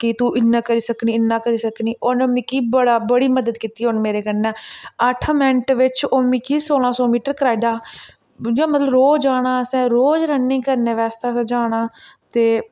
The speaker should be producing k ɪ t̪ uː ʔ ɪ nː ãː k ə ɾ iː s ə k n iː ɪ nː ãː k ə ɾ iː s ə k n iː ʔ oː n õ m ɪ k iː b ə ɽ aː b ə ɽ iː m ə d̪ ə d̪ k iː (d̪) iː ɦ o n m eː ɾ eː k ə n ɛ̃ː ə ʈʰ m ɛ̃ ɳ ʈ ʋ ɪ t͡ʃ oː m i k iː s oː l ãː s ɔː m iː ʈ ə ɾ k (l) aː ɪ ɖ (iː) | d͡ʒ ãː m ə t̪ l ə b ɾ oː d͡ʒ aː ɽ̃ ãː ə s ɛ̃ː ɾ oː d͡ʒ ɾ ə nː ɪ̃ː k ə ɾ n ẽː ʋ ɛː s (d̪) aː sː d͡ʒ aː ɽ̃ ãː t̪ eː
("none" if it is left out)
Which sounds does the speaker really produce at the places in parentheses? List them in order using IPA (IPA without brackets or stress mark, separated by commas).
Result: t̪, ɾ, aː, t̪